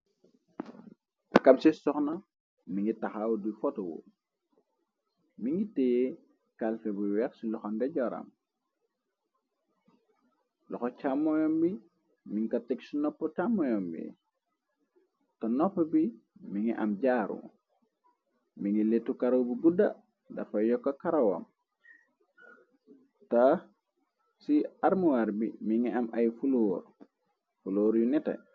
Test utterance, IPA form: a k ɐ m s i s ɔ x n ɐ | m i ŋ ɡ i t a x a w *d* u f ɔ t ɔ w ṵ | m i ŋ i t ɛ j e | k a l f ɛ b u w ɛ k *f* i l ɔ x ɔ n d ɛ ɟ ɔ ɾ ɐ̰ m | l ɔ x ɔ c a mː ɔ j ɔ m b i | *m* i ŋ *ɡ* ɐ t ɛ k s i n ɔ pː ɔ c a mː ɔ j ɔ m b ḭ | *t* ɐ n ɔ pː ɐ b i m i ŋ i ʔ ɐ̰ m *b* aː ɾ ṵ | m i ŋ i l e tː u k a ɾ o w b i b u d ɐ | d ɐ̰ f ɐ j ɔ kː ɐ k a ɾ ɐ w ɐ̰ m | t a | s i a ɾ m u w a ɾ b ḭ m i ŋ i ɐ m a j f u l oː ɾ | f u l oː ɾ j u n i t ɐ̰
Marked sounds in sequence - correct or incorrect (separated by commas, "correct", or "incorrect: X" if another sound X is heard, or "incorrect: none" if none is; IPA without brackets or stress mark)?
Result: correct, incorrect: s, correct, incorrect: k, correct, incorrect: ɟ